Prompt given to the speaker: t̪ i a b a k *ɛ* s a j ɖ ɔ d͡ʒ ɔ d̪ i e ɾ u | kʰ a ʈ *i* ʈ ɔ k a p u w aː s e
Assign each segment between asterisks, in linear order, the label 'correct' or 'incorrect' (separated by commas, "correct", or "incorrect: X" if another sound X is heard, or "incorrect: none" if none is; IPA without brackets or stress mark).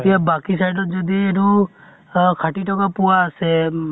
incorrect: i, correct